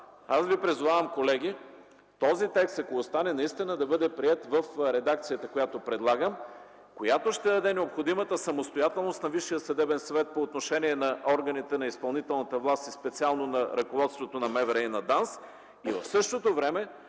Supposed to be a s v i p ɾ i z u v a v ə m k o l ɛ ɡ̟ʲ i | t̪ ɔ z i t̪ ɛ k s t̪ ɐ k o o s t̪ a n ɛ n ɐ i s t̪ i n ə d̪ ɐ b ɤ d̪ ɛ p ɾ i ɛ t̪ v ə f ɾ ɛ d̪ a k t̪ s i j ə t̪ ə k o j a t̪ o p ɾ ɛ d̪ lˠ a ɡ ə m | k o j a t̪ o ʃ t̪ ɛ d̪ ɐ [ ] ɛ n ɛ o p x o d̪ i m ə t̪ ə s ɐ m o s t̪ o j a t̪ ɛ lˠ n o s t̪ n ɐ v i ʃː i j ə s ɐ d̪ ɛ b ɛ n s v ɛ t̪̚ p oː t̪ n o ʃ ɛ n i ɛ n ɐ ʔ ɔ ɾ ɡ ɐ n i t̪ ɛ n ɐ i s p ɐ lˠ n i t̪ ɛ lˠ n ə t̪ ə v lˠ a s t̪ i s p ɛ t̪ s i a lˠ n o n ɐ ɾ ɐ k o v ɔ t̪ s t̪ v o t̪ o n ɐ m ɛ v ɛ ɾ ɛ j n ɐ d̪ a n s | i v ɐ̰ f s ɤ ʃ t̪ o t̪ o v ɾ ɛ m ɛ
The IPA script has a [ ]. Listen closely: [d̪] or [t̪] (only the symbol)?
d̪